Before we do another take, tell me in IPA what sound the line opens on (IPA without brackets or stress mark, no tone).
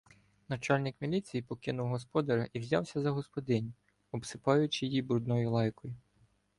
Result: n